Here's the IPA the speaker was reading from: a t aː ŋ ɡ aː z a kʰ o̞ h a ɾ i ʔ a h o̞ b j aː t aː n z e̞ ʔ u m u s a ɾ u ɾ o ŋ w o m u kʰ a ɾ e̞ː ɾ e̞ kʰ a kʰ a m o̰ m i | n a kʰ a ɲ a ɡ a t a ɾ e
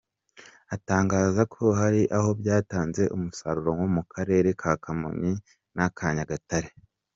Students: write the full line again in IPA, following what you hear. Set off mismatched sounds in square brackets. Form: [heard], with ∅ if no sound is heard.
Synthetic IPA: a t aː ŋ ɡ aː z a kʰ o̞ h a ɾ i ʔ a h o̞ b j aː t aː n z e̞ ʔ u m u s a ɾ u ɾ o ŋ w o m u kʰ a ɾ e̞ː ɾ e̞ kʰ a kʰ a m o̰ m i | n a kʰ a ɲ a ɡ a t a ɾ e